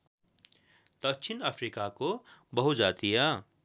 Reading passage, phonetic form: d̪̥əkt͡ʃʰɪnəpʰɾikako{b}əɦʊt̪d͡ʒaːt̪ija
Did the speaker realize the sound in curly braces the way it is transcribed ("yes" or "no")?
yes